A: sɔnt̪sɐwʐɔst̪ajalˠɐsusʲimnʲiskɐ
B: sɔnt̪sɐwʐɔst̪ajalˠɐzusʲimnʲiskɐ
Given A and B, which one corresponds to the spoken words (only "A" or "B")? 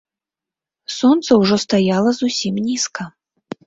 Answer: B